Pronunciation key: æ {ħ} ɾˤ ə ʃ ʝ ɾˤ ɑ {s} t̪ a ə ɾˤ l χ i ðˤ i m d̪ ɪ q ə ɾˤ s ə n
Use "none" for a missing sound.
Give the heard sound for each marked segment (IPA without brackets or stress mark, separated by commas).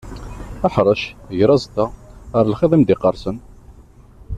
ħ, z